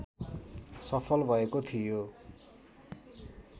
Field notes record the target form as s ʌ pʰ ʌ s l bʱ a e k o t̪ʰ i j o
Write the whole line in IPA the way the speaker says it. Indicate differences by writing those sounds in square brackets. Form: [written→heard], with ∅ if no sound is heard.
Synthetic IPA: s ʌ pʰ ʌ [s→∅] l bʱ [a→ʌ] e k o t̪ʰ i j o